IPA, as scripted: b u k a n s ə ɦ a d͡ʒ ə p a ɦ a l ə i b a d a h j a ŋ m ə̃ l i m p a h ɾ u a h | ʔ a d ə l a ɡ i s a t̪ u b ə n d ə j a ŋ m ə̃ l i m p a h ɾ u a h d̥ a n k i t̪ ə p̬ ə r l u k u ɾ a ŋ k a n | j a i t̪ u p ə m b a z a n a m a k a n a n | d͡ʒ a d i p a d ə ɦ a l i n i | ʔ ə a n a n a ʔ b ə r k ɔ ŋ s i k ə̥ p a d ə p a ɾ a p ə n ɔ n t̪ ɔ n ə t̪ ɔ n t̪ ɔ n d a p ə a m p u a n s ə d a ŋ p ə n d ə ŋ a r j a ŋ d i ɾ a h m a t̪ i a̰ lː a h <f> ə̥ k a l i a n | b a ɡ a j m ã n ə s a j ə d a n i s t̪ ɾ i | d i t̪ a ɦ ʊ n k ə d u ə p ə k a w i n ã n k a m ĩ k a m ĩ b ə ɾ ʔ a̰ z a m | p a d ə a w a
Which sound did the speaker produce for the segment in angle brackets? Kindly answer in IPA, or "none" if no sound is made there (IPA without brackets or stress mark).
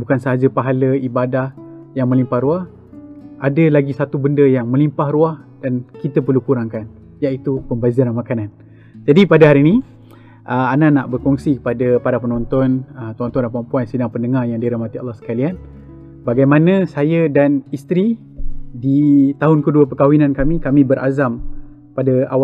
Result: s